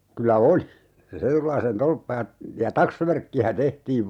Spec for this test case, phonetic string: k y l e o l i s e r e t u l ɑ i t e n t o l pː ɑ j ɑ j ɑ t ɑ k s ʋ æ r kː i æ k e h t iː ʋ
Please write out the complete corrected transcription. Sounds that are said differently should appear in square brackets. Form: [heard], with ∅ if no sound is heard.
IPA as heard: k y l [æ] o l i s e r e t u l ɑ i [s] e n t o l pː ɑ j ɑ j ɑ t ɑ k s ʋ æ r kː i æ [t] e h t iː ʋ